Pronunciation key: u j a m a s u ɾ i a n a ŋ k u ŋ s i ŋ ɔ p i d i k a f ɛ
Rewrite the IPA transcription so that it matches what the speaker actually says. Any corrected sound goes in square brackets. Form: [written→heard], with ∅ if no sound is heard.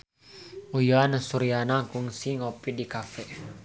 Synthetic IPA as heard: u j a [m→n] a s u ɾ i a n a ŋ k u ŋ s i ŋ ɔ p i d i k a f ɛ